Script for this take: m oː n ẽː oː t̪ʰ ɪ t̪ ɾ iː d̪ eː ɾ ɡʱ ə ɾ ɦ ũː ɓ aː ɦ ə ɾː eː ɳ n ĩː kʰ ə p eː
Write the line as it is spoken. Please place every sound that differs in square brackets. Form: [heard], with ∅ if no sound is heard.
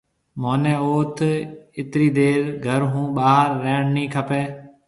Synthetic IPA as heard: m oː n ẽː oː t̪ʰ ɪ t̪ ɾ iː d̪ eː ɾ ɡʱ ə ɾ ɦ ũː ɓ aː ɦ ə ɾː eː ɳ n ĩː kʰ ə p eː

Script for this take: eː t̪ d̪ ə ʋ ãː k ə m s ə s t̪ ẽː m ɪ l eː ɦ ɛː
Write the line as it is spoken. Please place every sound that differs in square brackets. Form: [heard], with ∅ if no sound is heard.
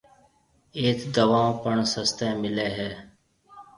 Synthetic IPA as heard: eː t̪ d̪ ə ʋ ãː [p] ə [ɳ] s ə s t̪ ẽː m ɪ l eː ɦ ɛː

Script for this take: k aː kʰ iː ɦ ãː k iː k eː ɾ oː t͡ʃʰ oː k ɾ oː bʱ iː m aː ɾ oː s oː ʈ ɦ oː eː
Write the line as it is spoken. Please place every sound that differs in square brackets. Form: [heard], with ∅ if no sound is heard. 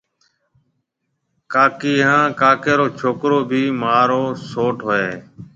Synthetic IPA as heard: k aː [k] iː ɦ ãː k [aː] k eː ɾ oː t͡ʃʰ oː k ɾ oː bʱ iː m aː ɾ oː s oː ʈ ɦ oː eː

